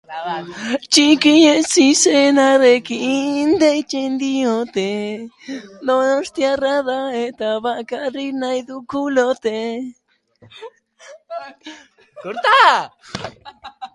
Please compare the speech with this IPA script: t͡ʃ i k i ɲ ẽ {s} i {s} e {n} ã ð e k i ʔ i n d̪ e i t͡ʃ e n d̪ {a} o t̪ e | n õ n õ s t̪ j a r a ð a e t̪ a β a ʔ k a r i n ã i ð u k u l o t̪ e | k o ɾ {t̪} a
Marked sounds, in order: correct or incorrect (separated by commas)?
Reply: correct, correct, correct, incorrect, correct